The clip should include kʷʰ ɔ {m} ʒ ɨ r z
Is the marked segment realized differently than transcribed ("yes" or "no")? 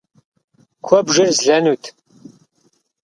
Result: yes